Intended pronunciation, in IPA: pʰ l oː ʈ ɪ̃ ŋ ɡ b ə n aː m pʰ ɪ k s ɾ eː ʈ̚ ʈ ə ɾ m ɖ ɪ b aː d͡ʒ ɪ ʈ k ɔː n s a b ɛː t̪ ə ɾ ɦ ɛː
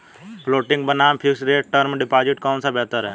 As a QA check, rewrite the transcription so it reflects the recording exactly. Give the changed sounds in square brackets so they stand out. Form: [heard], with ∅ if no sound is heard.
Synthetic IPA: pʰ l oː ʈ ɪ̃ ŋ ɡ b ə n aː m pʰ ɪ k s ɾ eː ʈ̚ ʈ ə ɾ m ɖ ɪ [p] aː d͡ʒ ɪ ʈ k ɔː n s a b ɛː t̪ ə ɾ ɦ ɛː